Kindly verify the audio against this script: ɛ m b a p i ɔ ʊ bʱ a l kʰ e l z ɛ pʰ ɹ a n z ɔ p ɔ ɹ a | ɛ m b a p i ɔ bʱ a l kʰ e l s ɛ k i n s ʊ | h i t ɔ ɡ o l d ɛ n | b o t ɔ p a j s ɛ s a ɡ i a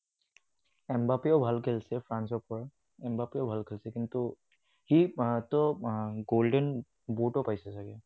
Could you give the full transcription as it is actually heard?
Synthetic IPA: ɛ m b a p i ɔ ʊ bʱ a l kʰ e l s ɛ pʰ ɹ a n s ɔ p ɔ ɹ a | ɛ m b a p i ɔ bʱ a l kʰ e l s ɛ k i n t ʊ | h i t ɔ ɡ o l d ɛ n | b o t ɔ p a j s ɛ s a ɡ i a

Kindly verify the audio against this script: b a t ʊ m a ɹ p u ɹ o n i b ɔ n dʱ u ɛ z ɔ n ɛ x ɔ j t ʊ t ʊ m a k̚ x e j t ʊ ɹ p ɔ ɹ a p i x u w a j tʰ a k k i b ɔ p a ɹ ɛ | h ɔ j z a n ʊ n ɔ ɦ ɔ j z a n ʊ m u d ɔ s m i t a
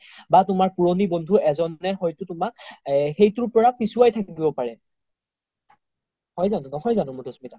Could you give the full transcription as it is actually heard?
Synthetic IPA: b a t ʊ m a ɹ p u ɹ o n i b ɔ n dʱ u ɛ z ɔ n ɛ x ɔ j t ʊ t ʊ m a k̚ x e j t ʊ ɹ p ɔ ɹ a p i s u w a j tʰ a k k i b ɔ p a ɹ ɛ | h ɔ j z a n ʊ n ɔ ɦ ɔ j z a n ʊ m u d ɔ s m i t a

